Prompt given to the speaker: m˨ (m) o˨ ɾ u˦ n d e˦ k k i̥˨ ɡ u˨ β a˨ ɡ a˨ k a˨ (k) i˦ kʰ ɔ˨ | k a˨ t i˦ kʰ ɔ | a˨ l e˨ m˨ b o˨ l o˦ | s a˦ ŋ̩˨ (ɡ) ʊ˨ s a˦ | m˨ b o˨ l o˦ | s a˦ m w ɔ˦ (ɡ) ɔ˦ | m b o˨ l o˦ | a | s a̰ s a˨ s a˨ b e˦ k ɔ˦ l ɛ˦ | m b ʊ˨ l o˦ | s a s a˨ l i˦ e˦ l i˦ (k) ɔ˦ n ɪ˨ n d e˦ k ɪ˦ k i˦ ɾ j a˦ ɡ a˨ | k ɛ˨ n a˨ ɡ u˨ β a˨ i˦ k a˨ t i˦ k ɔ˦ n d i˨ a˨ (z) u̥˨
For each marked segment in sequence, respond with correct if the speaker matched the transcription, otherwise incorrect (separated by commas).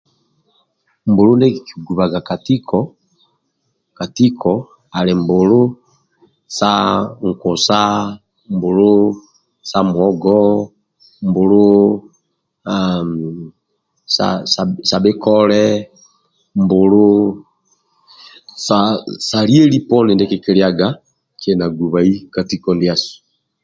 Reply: incorrect, incorrect, incorrect, correct, incorrect, incorrect